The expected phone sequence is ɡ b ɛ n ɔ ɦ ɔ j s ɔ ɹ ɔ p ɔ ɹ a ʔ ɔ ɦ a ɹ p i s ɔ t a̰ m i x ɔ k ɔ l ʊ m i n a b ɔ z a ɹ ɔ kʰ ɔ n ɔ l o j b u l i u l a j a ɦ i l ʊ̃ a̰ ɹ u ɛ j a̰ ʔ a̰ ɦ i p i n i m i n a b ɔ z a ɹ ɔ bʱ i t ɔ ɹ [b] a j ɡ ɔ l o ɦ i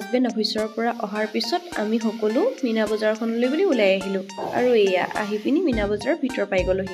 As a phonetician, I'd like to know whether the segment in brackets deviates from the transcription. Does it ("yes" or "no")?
yes